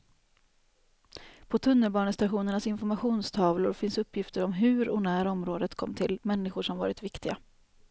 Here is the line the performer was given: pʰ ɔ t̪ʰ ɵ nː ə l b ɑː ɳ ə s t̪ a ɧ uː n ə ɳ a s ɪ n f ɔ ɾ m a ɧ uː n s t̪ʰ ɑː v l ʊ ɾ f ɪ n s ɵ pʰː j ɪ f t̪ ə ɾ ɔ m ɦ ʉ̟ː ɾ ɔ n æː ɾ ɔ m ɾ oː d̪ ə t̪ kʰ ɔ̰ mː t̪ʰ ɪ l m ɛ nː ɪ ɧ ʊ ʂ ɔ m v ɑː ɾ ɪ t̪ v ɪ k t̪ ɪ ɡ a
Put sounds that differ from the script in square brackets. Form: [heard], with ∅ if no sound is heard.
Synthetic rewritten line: pʰ ɔ t̪ʰ ɵ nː ə l b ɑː ɳ ə s t̪ a ɧ uː n ə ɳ a s ɪ n f ɔ ɾ m a ɧ uː n s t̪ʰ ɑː v l ʊ ɾ f ɪ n s ɵ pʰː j ɪ f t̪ ə ɾ ɔ m ɦ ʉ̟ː ɾ ɔ n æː ɾ ɔ m ɾ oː d̪ ə t̪ kʰ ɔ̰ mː t̪ʰ ɪ l m ɛ nː ɪ ɧ ʊ ʂ ɔ m v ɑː ɾ ɪ t̪ v ɪ k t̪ ɪ ɡ a